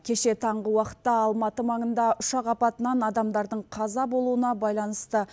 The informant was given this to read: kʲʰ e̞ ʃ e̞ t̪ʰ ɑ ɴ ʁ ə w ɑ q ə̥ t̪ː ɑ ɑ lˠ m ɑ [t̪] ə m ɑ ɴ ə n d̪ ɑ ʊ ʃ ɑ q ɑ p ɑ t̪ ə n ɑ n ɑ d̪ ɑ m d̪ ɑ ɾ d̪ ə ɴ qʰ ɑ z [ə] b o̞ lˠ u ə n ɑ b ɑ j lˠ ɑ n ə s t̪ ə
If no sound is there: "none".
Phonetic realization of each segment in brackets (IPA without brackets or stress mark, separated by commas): t̪, ɑ